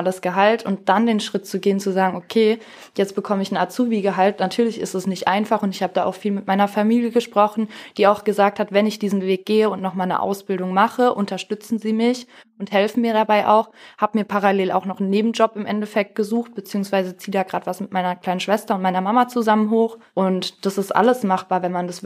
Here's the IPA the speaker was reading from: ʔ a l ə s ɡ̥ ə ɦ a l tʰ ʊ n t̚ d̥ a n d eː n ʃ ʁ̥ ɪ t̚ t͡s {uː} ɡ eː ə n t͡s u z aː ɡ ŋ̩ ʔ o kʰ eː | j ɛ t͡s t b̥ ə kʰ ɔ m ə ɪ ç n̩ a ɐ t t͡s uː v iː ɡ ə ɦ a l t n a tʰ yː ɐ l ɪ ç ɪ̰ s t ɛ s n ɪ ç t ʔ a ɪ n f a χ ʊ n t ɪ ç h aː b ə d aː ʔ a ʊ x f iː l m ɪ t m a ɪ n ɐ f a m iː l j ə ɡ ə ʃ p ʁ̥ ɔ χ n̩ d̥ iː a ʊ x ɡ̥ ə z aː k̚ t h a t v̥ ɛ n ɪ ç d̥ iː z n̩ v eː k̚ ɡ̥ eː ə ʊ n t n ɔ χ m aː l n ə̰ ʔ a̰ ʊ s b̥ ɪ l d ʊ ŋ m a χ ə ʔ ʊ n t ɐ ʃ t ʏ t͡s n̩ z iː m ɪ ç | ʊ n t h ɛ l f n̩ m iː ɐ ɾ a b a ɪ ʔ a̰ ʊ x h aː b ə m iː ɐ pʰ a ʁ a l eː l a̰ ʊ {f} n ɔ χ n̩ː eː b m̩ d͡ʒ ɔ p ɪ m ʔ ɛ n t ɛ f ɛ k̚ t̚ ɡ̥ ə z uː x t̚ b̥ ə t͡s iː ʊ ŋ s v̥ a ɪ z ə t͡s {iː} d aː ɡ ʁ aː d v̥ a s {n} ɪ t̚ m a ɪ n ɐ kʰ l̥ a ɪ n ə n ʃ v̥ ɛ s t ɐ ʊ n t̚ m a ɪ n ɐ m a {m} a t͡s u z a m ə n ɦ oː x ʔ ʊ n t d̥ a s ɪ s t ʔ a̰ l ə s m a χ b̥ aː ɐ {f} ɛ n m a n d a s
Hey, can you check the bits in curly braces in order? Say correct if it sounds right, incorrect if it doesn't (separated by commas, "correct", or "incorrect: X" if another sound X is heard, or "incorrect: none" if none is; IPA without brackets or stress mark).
incorrect: u, incorrect: x, correct, incorrect: m, correct, incorrect: v